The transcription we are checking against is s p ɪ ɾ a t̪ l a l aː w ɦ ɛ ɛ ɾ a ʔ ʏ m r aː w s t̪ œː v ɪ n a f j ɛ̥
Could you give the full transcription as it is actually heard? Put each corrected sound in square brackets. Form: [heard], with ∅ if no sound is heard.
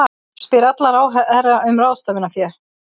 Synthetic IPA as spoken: s p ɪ ɾ a t̪ l a [ɾ] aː w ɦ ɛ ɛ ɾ a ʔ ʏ m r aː w s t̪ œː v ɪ n a f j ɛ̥

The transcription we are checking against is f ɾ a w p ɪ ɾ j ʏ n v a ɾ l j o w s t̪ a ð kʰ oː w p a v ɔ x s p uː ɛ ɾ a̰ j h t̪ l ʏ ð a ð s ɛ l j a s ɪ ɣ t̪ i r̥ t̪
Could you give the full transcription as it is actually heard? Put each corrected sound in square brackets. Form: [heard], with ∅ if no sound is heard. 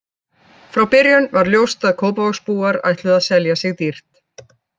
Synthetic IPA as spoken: f ɾ a w p ɪ ɾ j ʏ n v a ɾ l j o w s t̪ a ð kʰ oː w p a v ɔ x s p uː [a] ɾ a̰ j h t̪ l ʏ ð a ð s ɛ l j a s ɪ ɣ t̪ i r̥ t̪

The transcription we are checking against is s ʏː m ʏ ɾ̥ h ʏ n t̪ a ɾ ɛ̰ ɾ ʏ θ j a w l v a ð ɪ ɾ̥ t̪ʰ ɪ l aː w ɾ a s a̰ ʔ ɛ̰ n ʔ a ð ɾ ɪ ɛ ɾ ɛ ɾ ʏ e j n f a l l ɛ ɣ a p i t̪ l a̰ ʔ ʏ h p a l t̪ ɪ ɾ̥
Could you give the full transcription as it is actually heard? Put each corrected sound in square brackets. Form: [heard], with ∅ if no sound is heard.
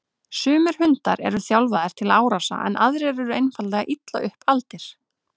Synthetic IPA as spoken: s ʏː m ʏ ɾ̥ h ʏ n t̪ a ɾ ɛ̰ ɾ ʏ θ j a w l v a ð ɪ ɾ̥ t̪ʰ ɪ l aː w ɾ a s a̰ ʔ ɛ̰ n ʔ a ð ɾ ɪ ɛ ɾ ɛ ɾ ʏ e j n f a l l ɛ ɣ a [ʔ] i t̪ l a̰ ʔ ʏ h p a l t̪ ɪ ɾ̥

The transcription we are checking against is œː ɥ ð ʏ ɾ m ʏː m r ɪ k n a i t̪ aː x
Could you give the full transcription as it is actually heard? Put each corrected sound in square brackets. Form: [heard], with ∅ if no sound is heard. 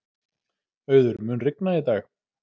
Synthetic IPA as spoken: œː ɥ ð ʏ ɾ m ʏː [n] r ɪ k n a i t̪ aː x

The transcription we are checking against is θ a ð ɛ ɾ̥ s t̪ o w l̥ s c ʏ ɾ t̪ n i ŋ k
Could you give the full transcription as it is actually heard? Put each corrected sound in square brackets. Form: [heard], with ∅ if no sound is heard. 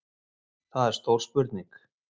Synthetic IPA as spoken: θ a ð ɛ ɾ̥ s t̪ o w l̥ s [p] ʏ ɾ t̪ n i ŋ k

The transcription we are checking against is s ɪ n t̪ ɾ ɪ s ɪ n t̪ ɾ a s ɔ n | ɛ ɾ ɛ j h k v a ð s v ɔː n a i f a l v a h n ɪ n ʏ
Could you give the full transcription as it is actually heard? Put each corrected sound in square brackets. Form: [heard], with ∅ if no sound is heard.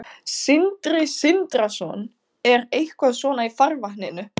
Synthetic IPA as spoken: s ɪ n t̪ ɾ ɪ s ɪ n t̪ ɾ a s ɔ n | ɛ ɾ [e] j h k v a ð s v ɔː n a i f a [ɾ] v a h n ɪ n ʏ

